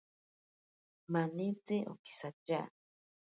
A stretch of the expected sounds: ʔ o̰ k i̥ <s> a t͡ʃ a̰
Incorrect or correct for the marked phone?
correct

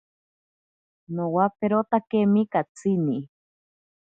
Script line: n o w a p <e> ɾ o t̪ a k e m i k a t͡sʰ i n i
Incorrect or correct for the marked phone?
correct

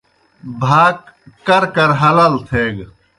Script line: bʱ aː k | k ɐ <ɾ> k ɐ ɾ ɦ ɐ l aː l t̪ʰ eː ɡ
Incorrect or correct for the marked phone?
correct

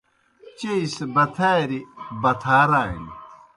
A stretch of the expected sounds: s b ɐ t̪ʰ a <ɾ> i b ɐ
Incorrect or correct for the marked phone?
correct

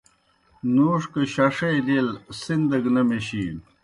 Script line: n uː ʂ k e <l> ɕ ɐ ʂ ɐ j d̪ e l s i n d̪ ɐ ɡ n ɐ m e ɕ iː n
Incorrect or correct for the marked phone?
incorrect: none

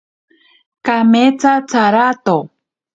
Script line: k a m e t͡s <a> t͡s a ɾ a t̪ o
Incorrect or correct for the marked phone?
correct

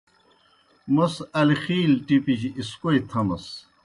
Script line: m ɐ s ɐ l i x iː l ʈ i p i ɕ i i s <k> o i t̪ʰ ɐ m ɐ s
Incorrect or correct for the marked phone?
correct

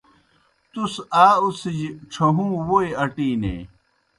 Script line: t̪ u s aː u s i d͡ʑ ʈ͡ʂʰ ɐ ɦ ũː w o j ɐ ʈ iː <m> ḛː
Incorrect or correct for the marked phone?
incorrect: n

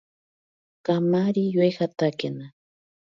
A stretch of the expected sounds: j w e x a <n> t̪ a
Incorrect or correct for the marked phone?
incorrect: none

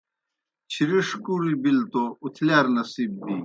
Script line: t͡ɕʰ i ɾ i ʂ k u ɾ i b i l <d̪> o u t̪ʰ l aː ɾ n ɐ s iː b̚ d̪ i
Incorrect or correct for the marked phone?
incorrect: t̪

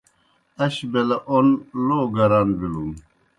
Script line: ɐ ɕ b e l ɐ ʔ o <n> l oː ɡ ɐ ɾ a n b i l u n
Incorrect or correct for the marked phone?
correct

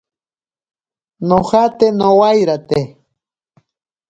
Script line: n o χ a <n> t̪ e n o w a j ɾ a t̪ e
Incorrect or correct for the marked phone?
incorrect: none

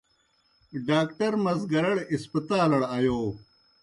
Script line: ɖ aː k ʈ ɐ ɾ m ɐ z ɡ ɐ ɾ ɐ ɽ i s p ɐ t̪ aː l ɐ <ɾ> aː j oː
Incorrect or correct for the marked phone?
incorrect: ɽ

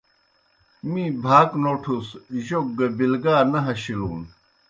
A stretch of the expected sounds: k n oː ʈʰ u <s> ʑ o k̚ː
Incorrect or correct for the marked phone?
correct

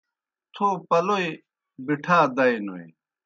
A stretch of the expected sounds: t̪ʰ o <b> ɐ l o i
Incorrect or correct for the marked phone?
incorrect: p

